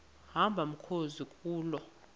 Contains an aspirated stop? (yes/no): yes